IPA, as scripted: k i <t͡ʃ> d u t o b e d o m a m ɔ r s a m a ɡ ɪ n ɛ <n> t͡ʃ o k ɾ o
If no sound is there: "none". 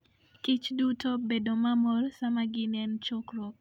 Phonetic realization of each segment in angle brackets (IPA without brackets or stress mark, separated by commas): t͡ʃ, n